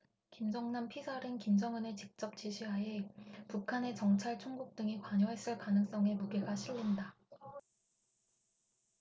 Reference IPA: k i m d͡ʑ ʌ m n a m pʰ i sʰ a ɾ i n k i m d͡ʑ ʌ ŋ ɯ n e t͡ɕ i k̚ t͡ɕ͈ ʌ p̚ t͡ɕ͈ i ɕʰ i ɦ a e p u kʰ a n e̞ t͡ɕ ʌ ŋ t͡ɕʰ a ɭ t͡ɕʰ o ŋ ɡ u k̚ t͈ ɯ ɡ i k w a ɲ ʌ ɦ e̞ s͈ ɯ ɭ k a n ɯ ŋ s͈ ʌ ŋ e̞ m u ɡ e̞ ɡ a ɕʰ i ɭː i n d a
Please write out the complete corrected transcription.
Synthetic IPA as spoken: k i m d͡ʑ ʌ ŋ n a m pʰ i sʰ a ɾ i n k i m d͡ʑ ʌ ŋ ɯ n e t͡ɕ i k̚ t͡ɕ͈ ʌ p̚ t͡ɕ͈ i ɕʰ i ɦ a e p u kʰ a n e̞ t͡ɕ ʌ ŋ t͡ɕʰ a ɭ t͡ɕʰ o ŋ ɡ u k̚ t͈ ɯ ŋ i k w a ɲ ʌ ɦ e̞ s͈ ɯ ɭ k a n ɯ ŋ s͈ ʌ ŋ e̞ m u ɡ e̞ ɡ a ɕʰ i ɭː i n d a